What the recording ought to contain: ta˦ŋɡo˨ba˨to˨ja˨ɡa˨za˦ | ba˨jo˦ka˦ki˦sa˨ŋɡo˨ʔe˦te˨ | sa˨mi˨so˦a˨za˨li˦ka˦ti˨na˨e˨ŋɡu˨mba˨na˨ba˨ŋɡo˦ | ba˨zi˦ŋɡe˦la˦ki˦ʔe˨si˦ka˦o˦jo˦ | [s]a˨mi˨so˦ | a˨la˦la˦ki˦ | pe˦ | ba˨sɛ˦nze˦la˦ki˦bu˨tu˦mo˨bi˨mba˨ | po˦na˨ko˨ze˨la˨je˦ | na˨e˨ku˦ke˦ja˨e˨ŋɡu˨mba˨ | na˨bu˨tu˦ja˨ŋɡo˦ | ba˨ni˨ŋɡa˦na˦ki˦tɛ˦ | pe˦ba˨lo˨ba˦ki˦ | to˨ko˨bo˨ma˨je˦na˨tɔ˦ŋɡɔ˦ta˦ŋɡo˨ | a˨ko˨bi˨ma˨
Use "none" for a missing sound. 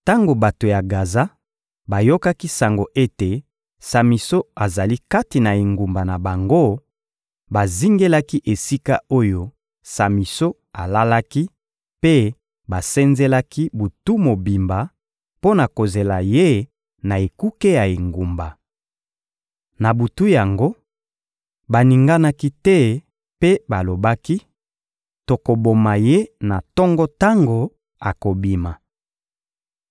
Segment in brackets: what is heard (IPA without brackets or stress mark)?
s